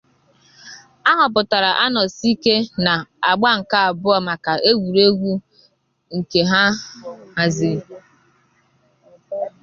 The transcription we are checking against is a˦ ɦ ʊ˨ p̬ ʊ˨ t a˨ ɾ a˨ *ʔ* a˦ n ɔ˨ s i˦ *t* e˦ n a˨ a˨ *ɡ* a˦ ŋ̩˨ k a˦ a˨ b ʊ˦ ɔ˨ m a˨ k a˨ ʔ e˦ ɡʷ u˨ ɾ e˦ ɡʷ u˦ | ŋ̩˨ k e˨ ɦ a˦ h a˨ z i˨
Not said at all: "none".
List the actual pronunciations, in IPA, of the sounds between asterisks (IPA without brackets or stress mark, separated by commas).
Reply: ʔ, k, ɡ͡b